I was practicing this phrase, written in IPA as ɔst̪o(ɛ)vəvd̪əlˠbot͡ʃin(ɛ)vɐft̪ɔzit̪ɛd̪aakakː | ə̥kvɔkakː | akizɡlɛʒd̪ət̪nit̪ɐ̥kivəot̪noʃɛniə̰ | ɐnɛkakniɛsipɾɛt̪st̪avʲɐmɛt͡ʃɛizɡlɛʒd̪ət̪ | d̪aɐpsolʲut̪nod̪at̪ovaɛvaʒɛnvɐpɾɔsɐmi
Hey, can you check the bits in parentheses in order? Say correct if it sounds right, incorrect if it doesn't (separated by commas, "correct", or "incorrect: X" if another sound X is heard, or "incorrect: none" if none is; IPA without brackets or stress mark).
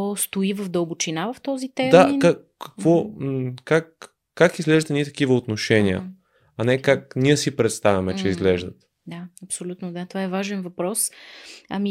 incorrect: i, incorrect: a